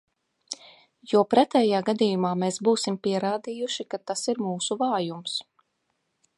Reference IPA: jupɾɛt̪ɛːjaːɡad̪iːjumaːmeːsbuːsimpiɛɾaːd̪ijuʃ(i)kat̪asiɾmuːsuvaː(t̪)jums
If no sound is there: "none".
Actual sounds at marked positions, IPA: i, none

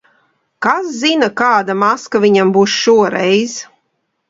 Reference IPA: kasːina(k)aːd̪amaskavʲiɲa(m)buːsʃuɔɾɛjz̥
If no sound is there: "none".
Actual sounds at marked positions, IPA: k, m

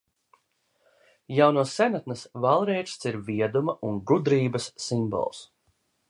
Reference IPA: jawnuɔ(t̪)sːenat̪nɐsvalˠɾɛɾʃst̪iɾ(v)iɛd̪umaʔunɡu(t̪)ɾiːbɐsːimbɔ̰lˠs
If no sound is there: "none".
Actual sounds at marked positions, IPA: none, v, d̪

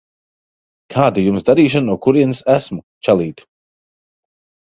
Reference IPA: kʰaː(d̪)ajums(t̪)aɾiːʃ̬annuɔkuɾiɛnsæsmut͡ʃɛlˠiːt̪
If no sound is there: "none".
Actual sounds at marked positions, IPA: d̪, d̪

